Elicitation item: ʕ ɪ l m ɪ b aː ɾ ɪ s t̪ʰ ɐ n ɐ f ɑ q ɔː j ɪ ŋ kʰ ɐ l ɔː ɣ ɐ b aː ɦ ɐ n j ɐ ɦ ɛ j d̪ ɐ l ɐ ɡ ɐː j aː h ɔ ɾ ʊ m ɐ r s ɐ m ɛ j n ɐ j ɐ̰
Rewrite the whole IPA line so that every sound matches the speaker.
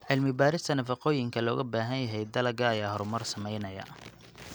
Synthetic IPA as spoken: ʕ ɪ l m ɪ b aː ɾ ɪ s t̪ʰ ɐ n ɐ f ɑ q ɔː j ɪ ŋ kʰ ɐ l ɔː ɣ ɐ b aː ɦ ɐ n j ɐ ɦ ɛ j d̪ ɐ l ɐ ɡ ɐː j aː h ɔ ɾ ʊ m ɐ r s ɐ m ɛ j n ɐ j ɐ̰